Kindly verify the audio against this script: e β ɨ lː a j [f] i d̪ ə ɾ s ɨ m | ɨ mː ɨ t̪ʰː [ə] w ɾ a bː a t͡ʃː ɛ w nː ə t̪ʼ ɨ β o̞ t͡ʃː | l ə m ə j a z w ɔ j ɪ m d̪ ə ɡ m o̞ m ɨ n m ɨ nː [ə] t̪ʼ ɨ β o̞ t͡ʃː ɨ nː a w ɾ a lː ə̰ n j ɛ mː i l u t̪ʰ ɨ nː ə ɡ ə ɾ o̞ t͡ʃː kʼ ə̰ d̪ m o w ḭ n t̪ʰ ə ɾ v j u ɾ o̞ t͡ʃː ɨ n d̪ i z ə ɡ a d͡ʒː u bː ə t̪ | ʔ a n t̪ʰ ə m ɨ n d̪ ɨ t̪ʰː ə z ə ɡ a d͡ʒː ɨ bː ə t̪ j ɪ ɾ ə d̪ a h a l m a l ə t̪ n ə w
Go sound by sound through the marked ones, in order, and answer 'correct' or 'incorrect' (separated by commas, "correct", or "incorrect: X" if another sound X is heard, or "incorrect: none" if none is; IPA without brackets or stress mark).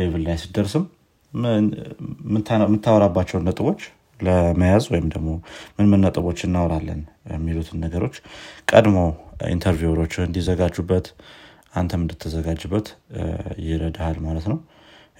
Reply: incorrect: s, incorrect: a, correct